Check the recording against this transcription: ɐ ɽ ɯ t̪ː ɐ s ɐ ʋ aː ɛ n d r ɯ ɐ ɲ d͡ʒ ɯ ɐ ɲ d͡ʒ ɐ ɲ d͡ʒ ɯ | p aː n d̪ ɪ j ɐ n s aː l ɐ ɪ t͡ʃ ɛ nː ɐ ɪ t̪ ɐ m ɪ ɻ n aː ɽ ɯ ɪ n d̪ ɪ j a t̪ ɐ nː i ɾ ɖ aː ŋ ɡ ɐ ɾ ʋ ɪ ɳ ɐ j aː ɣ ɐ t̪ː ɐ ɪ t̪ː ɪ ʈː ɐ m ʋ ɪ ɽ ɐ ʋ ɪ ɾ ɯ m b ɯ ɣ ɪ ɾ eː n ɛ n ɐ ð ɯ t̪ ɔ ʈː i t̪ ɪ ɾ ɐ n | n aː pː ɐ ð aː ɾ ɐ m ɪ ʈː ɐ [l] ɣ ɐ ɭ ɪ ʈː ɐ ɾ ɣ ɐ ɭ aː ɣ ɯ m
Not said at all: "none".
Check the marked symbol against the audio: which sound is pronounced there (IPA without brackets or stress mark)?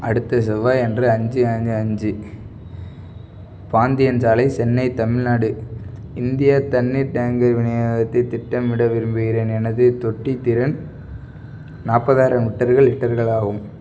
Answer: ɾ